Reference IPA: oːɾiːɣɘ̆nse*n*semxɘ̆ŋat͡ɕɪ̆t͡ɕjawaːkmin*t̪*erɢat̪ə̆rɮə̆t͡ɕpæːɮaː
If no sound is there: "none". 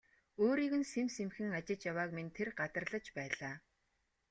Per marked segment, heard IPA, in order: m, t̪ʰ

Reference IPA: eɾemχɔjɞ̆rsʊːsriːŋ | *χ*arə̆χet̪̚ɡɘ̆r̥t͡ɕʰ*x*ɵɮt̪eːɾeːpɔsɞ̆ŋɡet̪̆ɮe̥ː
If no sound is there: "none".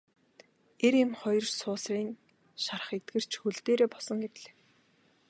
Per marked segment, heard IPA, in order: ʃ, x

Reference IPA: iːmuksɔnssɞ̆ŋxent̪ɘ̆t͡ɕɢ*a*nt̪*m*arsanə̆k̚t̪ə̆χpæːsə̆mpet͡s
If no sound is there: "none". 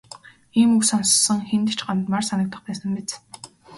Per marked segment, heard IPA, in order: a, m

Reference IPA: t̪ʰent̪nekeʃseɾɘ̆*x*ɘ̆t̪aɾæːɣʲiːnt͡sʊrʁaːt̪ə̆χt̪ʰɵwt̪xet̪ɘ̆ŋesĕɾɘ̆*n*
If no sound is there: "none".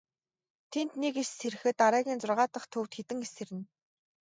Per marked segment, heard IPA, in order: x, n

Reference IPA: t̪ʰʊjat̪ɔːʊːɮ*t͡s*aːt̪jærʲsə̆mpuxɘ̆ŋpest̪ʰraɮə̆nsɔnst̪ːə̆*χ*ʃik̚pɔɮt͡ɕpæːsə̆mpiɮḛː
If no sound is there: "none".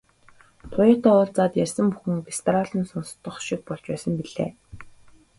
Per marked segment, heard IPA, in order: t͡s, χ

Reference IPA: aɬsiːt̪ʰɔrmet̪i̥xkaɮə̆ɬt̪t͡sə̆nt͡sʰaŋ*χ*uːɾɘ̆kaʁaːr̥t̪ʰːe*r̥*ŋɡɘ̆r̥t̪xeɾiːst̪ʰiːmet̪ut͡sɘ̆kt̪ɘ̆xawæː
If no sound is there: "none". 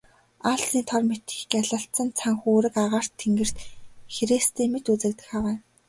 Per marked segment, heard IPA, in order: x, none

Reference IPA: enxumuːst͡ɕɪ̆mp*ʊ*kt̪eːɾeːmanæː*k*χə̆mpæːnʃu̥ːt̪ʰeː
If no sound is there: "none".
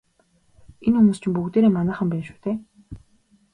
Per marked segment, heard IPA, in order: u, none

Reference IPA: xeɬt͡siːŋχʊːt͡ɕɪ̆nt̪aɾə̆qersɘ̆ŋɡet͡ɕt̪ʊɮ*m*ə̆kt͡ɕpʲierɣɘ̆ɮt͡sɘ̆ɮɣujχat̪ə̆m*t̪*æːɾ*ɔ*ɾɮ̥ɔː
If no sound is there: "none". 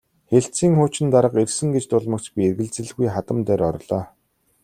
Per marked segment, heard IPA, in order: m, t̪, ɔ

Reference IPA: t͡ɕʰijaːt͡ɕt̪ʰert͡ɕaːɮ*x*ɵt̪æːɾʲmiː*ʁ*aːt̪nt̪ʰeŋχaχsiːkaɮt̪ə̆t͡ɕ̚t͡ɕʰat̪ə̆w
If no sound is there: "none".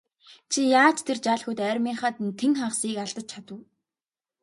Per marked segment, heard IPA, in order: x, χ

